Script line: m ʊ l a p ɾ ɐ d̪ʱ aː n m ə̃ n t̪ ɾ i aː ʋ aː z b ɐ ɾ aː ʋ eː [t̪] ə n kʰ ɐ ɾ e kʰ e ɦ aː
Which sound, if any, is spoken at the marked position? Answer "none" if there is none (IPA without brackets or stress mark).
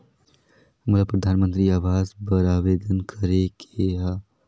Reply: d̪